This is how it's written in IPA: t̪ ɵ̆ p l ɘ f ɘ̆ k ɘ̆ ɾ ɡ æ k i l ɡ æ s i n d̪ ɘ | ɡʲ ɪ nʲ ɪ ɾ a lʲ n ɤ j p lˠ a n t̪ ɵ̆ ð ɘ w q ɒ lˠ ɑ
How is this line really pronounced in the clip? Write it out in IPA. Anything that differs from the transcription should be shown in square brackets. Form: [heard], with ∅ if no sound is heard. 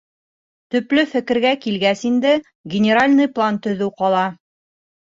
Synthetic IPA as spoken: t̪ ɵ̆ p l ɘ f ɘ̆ k ɘ̆ ɾ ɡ æ k i l ɡ æ s i n d̪ ɘ | ɡʲ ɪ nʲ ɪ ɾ a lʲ n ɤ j p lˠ a n t̪ ɵ̆ ð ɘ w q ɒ lˠ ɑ